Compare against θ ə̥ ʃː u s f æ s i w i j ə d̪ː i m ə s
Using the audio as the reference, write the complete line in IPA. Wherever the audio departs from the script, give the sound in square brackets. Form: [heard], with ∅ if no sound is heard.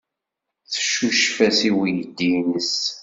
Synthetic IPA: θ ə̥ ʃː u [ʃ] f æ s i w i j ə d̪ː i [n] ə s

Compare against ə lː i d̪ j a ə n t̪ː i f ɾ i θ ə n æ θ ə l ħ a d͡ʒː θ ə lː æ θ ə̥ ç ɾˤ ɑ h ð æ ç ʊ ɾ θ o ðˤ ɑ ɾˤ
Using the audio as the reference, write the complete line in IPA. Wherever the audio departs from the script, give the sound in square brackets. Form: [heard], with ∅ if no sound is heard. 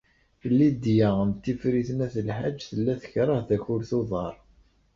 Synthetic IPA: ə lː i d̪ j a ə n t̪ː i f ɾ i θ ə n æ θ ə l ħ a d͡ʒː θ ə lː æ θ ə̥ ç ɾˤ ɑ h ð æ ç ʊ ɾ θ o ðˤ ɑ ɾˤ

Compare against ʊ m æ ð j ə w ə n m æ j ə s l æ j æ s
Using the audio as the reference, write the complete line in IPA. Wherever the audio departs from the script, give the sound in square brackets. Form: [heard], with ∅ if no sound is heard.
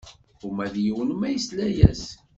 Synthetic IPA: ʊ m æ ð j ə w ə n m æ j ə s l æ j æ s

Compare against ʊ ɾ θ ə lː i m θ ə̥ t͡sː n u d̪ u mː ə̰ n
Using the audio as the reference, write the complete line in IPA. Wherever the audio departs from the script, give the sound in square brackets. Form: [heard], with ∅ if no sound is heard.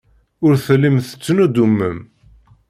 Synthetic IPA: ʊ ɾ θ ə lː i m θ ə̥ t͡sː n u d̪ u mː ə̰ [m]

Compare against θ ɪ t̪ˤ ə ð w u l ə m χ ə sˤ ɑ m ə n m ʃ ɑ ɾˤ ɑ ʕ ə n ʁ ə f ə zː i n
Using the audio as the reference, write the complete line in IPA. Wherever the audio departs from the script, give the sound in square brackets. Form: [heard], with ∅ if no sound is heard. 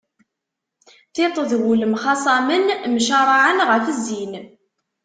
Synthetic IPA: θ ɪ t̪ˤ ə ð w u l ə m χ [ɑ] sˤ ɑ m ə n m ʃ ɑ ɾˤ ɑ ʕ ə n ʁ ə f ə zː i n

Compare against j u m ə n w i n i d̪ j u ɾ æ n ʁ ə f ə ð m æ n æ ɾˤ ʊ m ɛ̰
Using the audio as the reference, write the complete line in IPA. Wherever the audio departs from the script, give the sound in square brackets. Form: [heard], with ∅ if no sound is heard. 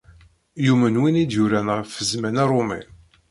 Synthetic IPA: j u m ə n w i n i d̪ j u ɾ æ n ʁ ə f ə [z] m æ n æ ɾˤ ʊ m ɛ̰

